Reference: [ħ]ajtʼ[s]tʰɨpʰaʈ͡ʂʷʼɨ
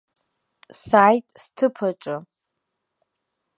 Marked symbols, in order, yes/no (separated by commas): no, yes